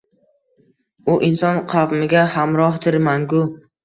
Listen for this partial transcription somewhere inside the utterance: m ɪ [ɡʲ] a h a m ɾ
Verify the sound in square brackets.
correct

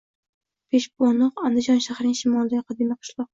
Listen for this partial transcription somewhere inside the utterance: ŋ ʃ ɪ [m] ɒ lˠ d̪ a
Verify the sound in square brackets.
correct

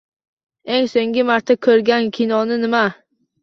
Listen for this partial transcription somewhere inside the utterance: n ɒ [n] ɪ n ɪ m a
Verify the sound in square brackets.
correct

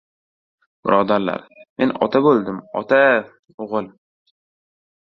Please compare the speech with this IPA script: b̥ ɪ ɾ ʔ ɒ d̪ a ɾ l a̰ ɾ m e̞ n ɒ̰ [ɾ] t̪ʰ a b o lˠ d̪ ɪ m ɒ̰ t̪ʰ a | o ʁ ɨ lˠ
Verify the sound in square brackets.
incorrect: none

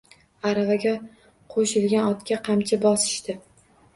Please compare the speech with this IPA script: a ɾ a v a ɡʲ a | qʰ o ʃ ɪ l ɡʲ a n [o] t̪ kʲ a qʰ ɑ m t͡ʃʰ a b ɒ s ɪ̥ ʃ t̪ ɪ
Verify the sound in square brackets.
incorrect: ɒ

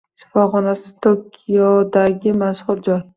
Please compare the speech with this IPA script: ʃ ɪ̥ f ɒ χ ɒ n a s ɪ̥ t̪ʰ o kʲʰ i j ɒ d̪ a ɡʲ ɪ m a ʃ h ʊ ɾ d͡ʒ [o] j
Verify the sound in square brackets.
incorrect: ɒ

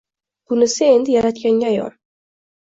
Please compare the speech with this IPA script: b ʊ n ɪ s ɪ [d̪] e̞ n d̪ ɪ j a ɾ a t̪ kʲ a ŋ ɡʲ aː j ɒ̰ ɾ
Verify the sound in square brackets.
incorrect: none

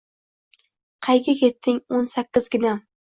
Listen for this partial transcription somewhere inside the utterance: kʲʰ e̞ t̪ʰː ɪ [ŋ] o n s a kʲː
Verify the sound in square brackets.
correct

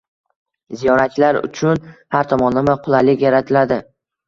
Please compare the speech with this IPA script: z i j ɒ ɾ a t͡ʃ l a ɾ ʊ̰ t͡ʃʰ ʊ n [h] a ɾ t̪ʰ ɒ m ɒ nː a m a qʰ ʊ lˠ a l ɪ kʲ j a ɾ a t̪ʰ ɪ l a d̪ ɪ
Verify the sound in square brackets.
correct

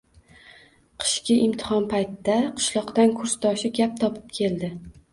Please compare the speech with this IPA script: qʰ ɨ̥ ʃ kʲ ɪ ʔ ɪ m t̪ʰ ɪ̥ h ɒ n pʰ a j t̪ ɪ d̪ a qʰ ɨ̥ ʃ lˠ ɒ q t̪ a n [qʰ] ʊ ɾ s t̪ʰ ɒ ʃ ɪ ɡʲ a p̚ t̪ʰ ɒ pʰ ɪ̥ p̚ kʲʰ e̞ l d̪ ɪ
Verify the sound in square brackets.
incorrect: kʰ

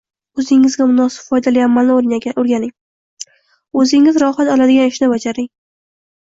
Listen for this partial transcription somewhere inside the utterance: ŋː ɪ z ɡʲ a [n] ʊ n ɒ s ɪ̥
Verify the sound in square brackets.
incorrect: m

